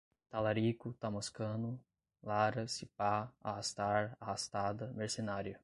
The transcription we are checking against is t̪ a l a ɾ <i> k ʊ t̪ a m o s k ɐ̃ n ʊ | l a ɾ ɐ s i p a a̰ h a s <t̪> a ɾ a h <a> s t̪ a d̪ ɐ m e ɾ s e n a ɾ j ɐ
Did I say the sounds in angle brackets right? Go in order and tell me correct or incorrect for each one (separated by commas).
correct, correct, correct